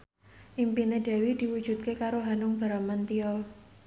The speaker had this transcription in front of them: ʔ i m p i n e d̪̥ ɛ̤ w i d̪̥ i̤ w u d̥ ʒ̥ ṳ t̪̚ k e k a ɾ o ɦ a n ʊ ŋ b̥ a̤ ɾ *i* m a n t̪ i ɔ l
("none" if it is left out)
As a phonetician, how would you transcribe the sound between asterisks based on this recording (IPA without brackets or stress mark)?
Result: a